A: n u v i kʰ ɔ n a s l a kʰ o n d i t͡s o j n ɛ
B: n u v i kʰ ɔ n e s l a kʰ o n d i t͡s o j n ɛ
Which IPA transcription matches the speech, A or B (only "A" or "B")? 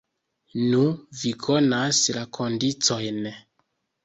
A